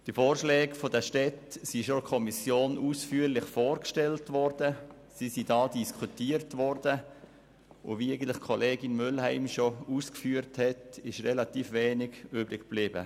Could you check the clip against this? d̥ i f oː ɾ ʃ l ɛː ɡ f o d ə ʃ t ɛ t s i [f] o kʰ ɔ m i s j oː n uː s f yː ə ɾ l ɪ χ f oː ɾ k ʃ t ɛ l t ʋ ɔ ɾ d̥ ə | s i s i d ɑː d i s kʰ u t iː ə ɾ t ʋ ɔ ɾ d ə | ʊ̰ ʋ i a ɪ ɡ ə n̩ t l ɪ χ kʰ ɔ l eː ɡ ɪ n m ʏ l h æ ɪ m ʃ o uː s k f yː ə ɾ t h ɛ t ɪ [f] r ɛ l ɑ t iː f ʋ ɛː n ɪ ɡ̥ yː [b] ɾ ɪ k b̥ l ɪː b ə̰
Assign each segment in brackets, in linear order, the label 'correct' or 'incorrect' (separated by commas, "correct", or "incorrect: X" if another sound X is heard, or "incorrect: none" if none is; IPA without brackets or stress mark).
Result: incorrect: ʃ, incorrect: ʃ, correct